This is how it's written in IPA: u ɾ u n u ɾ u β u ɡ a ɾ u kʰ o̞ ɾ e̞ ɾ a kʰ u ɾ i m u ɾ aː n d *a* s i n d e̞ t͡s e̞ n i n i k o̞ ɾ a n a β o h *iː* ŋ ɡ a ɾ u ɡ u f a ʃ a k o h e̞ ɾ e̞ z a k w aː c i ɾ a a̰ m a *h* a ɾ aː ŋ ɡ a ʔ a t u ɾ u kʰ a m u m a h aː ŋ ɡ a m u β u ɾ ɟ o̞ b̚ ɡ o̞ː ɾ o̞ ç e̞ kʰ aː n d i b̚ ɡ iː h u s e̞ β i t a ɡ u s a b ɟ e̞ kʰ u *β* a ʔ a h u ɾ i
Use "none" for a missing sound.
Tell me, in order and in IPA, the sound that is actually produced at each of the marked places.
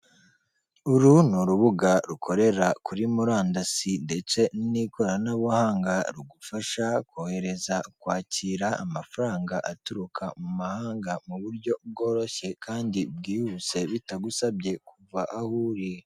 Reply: a, aː, f, v

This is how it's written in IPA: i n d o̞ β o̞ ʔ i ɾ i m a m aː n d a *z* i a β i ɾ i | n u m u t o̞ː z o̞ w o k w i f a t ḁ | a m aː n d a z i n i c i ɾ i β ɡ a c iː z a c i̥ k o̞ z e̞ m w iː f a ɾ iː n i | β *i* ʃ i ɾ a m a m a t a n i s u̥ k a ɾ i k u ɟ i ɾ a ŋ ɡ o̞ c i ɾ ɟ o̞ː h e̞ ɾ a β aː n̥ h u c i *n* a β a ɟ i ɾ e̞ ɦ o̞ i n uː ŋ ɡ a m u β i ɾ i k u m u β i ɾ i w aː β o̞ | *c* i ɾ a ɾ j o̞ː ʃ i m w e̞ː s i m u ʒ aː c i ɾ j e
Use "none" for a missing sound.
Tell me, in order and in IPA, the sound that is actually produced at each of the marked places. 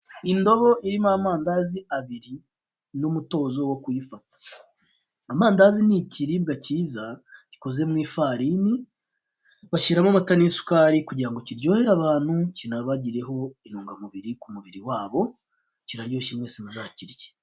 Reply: z, a, n, c

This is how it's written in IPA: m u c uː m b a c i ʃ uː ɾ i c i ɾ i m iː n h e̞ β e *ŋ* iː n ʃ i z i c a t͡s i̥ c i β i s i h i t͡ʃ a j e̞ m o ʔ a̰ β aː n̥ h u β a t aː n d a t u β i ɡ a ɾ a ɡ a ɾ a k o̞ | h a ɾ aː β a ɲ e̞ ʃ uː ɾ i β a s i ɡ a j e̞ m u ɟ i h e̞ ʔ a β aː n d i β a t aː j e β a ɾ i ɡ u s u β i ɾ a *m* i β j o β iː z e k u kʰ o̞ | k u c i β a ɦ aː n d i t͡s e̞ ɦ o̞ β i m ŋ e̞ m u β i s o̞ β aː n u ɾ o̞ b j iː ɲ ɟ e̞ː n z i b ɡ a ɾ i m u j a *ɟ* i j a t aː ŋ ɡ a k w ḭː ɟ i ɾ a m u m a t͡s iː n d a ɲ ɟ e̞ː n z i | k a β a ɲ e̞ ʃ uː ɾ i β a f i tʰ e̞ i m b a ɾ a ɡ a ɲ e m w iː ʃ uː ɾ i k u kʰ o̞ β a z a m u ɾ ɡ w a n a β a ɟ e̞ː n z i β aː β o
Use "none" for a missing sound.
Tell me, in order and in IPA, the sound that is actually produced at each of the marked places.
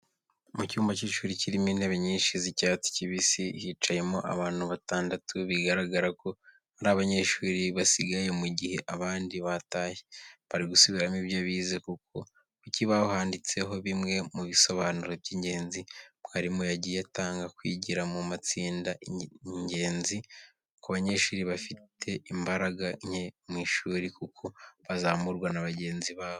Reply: ɲ, m, ɟ

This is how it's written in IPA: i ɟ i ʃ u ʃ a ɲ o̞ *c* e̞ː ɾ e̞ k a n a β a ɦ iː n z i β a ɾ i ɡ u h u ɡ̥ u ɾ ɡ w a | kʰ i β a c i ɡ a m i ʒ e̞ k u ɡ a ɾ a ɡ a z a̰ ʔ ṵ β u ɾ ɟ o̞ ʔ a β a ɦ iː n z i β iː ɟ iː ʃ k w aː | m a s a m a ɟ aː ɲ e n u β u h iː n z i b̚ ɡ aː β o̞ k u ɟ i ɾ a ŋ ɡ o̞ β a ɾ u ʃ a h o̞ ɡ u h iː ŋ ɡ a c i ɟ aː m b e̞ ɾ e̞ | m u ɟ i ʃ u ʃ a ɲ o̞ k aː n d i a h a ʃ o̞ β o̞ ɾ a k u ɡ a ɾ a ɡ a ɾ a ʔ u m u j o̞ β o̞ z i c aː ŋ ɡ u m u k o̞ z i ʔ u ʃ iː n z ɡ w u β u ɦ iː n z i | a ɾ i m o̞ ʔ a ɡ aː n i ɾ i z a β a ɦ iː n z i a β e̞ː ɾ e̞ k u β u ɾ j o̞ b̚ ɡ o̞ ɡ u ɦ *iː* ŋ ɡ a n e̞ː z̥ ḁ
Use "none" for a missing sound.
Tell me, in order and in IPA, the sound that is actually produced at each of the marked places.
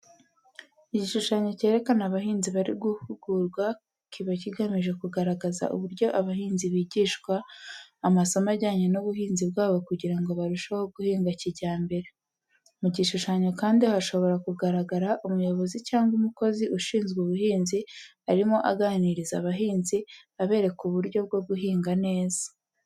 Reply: c, iː

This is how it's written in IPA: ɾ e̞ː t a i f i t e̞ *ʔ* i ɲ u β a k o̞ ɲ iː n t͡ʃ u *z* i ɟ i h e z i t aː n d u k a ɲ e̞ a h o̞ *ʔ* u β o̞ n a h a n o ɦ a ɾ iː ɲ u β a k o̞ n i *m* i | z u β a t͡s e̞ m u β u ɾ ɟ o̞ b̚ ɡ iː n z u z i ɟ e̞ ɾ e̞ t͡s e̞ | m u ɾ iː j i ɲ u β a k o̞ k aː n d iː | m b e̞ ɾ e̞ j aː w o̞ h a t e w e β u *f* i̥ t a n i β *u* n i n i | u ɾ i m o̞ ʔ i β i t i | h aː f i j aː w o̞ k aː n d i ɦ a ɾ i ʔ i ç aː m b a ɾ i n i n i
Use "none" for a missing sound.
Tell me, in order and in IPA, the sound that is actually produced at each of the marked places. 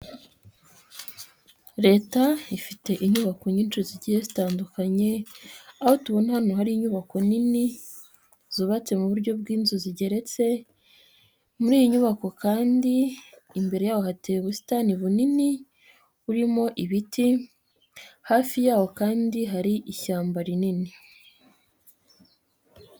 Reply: ʔ, z, t, n, s, u

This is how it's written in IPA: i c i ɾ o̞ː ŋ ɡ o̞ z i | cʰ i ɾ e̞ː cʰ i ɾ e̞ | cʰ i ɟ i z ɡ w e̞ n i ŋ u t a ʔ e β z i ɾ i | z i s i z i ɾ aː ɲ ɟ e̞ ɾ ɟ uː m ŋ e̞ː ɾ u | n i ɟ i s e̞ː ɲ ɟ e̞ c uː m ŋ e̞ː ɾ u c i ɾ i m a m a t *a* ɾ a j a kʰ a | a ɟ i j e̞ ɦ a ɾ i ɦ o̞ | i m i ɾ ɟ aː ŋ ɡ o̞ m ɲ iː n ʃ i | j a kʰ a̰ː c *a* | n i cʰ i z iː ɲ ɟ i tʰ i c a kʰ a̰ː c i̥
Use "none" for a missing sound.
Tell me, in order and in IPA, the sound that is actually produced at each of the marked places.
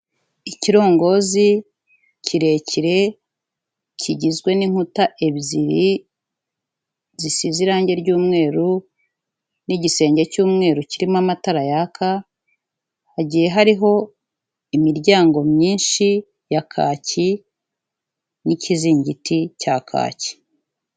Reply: a, i

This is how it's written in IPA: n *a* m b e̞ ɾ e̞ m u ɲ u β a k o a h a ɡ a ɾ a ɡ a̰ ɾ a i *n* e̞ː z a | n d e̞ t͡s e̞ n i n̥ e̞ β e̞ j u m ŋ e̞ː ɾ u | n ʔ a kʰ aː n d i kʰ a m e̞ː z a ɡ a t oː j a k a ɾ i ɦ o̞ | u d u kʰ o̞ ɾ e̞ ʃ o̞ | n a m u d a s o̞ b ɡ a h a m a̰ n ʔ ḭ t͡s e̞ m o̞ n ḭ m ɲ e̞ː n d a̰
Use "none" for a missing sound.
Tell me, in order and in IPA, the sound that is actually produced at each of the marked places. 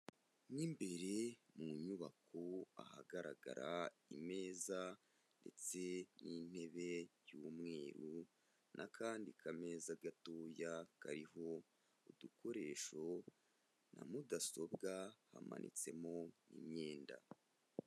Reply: i, m

